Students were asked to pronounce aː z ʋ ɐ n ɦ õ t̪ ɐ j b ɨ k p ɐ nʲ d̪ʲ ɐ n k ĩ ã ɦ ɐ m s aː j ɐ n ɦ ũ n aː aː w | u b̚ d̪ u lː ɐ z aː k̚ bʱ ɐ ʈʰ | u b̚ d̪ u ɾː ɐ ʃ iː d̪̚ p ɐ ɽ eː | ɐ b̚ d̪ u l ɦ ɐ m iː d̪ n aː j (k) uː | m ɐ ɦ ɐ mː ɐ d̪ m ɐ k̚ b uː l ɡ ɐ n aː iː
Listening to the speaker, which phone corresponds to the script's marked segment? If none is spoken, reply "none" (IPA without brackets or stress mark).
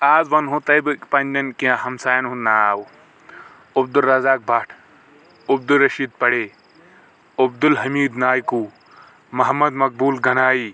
k